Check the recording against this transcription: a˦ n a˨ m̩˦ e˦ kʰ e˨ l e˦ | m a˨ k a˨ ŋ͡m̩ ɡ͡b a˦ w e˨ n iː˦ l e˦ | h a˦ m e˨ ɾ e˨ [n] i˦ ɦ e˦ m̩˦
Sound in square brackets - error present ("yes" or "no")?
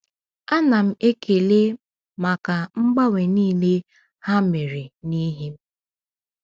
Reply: no